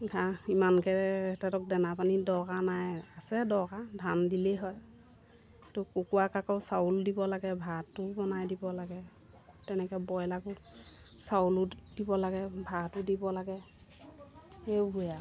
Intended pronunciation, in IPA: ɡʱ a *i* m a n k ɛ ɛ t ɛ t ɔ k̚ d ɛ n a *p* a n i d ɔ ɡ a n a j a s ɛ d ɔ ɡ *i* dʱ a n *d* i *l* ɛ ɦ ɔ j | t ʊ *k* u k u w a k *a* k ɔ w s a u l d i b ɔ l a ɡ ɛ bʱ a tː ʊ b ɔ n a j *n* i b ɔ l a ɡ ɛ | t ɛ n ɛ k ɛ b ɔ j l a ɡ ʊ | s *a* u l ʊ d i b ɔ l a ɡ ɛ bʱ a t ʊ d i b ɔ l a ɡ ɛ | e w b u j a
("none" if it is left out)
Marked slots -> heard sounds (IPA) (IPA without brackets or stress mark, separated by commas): i, p, a, d, l, k, a, d, a